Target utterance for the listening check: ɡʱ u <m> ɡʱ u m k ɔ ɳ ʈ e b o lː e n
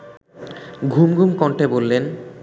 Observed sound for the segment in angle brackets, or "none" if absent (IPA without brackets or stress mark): m